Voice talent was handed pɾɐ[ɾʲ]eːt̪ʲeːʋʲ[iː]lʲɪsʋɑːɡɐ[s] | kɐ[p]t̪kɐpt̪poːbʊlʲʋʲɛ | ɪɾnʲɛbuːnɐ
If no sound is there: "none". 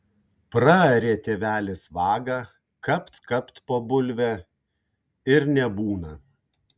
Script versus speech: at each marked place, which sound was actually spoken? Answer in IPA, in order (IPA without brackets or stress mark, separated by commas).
ɾʲ, æː, none, p